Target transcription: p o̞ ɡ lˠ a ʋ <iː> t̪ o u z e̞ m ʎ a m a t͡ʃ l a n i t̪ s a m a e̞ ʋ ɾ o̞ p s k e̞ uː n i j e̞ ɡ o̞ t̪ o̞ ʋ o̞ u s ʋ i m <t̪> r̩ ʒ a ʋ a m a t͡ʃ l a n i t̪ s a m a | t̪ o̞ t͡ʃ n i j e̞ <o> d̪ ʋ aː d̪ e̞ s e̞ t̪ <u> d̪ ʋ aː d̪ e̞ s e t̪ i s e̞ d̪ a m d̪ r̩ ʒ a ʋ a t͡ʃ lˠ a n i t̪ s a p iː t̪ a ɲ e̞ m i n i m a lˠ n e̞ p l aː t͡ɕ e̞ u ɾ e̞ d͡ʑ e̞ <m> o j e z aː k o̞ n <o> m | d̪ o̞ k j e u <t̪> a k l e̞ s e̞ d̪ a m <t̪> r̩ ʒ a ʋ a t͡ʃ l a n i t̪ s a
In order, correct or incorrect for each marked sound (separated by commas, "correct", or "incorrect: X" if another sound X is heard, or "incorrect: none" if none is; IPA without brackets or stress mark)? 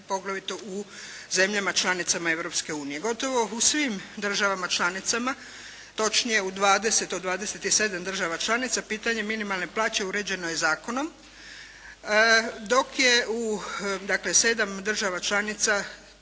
incorrect: i, incorrect: d̪, incorrect: u, incorrect: o, incorrect: n, correct, incorrect: d̪, incorrect: d̪